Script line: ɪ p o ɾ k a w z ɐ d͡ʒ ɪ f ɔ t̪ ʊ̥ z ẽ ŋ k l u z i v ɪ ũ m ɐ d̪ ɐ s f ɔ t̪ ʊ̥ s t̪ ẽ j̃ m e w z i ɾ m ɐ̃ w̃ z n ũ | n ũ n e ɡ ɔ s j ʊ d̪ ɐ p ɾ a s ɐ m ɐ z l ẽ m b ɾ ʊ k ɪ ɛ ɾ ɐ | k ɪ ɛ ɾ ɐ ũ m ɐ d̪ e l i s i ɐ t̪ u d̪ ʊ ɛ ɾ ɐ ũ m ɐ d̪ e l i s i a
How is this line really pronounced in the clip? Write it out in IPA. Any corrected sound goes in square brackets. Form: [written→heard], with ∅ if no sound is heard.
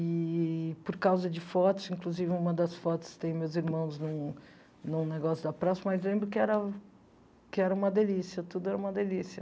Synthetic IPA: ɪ p o ɾ k a w z ɐ d͡ʒ ɪ f ɔ t̪ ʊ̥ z [ẽ→ĩ] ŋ k l u z i v ɪ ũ m ɐ d̪ ɐ s f ɔ t̪ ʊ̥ s t̪ ẽ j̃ m e w z i ɾ m ɐ̃ w̃ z n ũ | n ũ n e ɡ ɔ s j ʊ d̪ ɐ p ɾ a s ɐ m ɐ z l ẽ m b ɾ ʊ k ɪ ɛ ɾ ɐ | k ɪ ɛ ɾ ɐ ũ m ɐ d̪ e l i s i ɐ t̪ u d̪ ʊ ɛ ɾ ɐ ũ m ɐ d̪ e l i s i [a→ɐ]